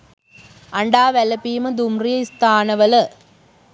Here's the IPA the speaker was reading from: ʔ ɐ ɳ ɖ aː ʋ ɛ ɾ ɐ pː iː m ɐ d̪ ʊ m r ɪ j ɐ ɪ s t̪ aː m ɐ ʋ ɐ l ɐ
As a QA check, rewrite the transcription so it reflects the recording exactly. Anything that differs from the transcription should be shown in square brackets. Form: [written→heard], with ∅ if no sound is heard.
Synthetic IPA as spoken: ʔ ɐ ɳ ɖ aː ʋ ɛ [ɾ→l] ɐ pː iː m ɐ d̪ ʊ m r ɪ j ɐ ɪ s t̪ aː [m→n] ɐ ʋ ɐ l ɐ